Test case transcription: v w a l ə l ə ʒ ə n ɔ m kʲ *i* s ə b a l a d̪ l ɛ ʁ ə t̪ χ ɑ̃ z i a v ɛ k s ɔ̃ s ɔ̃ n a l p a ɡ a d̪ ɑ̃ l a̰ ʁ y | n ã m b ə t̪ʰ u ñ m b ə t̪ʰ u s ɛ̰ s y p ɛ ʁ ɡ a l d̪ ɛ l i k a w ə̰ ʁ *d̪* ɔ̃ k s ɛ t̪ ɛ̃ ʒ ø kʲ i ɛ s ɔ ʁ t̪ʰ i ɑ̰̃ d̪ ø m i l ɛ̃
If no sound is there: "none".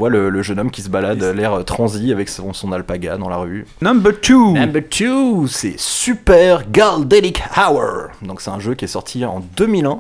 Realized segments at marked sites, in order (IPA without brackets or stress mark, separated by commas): i, d̪